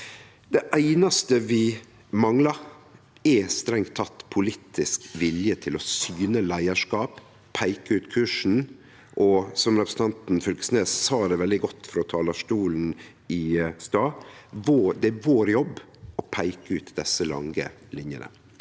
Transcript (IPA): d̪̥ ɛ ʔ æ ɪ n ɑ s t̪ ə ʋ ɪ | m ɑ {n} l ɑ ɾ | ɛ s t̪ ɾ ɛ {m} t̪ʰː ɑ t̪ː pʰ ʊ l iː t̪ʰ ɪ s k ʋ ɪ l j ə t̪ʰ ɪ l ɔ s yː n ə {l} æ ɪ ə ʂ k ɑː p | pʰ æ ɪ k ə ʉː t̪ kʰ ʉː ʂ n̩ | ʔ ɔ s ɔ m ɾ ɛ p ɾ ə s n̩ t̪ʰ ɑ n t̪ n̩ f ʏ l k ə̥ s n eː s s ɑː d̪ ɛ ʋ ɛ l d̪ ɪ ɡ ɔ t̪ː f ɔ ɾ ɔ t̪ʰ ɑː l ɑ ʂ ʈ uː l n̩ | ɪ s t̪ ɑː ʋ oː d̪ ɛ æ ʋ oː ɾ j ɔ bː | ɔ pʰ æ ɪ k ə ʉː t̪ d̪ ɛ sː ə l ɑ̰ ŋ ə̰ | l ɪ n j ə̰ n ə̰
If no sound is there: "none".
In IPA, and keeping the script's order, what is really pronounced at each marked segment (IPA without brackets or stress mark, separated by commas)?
ŋ, ŋ, l